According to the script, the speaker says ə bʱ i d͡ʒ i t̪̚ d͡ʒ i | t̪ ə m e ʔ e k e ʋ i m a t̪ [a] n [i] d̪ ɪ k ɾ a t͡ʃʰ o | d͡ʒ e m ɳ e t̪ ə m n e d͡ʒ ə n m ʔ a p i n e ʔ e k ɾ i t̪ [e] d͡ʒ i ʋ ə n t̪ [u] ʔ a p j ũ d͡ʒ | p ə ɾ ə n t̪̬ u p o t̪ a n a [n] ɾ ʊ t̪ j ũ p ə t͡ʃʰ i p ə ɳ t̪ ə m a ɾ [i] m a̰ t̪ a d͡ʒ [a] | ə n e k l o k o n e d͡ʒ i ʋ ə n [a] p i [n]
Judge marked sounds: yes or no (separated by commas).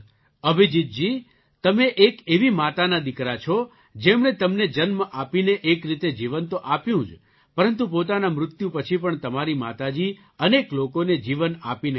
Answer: yes, no, yes, no, no, yes, no, yes, yes